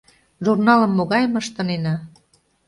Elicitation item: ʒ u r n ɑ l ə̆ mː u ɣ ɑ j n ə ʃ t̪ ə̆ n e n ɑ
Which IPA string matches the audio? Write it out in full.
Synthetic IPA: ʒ u r n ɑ l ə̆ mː o ɣ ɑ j m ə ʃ t̪ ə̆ n e n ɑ

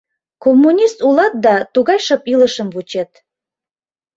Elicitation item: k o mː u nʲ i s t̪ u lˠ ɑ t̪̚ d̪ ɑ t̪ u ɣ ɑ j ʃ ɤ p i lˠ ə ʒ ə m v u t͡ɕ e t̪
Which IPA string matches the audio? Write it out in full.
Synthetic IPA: k o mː u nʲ i s t̪ u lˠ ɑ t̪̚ d̪ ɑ t̪ u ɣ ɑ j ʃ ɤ p i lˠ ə ʃ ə m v u t͡ɕ e t̪

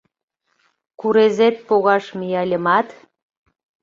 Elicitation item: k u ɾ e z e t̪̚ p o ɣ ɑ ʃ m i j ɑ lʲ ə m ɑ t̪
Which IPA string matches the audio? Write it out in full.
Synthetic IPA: k u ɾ e z e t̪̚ p o ɣ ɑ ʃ m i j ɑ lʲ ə m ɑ t̪

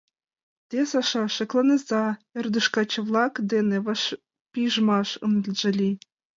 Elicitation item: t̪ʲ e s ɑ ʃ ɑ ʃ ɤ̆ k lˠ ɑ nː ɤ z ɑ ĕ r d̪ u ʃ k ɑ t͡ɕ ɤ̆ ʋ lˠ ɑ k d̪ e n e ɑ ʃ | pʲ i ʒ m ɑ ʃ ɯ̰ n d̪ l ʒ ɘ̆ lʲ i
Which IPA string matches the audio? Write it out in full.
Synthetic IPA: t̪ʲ e s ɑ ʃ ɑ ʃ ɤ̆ k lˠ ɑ n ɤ z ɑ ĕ r d̪ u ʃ k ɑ t͡ɕ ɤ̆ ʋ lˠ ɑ k d̪ e n e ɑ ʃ | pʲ i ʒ m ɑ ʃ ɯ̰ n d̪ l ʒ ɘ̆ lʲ i

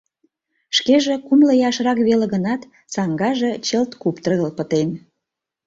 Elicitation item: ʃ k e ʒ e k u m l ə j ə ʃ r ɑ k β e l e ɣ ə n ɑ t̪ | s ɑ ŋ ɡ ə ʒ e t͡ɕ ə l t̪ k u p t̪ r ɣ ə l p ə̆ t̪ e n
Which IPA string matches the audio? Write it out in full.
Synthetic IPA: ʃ k e ʒ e k u m l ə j ɑ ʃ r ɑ k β e l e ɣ ə n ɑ t̪ | s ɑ ŋ ɡ ɑ ʒ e t͡ɕ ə l t̪ k u p t̪ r ɣ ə l p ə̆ t̪ e n

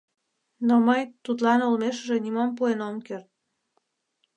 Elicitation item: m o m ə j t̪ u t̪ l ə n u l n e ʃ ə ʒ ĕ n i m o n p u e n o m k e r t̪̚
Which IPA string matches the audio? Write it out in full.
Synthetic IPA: n o m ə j t̪ u t̪ l ɑ n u l m e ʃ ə ʒ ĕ n i m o m p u e n o m k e r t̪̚

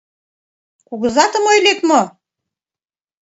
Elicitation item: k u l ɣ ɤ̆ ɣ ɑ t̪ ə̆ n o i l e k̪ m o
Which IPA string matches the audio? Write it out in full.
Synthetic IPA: k u ɣ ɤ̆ z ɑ t̪ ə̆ m o j l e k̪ m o

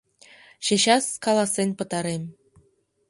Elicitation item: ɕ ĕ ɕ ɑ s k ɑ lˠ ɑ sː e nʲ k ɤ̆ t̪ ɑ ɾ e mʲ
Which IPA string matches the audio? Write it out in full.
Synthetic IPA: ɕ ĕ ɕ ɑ s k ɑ lˠ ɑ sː e nʲ p ɤ̆ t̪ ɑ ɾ e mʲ

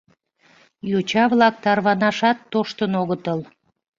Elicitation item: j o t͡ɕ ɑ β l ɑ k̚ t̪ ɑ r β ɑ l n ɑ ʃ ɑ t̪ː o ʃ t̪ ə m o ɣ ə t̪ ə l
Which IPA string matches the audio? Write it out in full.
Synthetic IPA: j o t͡ɕ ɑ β l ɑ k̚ t̪ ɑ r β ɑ n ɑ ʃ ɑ t̪ː o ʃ t̪ ə n o ɣ ə t̪ ə l

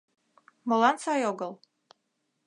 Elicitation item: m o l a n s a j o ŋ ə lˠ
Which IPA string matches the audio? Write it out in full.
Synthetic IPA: m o l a n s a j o ɡ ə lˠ

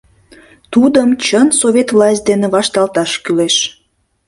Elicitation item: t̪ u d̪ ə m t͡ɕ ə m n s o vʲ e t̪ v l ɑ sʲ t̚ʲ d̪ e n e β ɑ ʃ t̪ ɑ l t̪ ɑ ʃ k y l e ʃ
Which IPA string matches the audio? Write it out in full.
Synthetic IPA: t̪ u d̪ ə m t͡ɕ ə n s o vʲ e t̪ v l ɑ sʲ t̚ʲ d̪ e n e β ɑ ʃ t̪ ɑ l t̪ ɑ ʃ k y l e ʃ

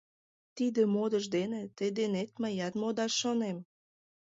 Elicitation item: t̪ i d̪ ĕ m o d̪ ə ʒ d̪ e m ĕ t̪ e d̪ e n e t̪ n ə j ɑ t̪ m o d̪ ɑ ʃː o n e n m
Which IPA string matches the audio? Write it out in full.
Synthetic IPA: t̪ i d̪ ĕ m o d̪ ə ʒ d̪ e n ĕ t̪ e d̪ e n e t̪ m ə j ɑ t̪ m o d̪ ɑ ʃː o n e m

